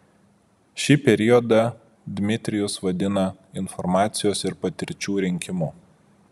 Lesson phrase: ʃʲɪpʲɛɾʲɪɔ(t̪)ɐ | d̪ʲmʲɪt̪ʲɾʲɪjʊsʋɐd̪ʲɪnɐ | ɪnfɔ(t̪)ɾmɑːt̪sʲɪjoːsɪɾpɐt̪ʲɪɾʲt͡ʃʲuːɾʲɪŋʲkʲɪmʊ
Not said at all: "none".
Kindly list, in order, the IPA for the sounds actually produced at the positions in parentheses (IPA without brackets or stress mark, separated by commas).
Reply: d̪, none